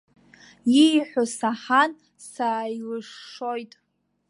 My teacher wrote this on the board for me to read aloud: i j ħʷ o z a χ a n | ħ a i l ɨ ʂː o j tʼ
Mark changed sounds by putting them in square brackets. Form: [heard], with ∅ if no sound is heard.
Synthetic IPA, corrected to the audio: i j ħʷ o [s] a [ħ] a n | [s] a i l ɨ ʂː o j tʼ